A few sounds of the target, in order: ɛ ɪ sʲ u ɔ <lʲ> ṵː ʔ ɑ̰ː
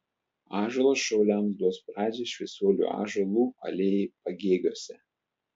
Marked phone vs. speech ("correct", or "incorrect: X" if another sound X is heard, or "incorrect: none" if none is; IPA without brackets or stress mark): correct